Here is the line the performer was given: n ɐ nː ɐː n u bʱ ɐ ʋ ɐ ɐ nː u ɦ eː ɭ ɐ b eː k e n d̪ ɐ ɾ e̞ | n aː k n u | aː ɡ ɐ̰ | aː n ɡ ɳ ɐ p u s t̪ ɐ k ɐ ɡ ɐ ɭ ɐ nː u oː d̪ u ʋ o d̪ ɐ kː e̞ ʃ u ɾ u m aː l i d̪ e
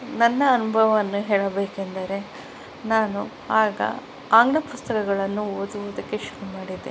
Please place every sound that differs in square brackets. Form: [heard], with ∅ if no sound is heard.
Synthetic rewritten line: n ɐ nː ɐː n u bʱ ɐ ʋ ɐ ɐ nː u ɦ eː ɭ ɐ b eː k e n d̪ ɐ ɾ e̞ | n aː [∅] n u | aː ɡ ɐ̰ | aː [ŋ] ɡ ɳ ɐ p u s t̪ ɐ k ɐ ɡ ɐ ɭ ɐ nː u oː d̪ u ʋ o d̪ ɐ kː e̞ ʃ u ɾ u m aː [ɽ] i d̪ e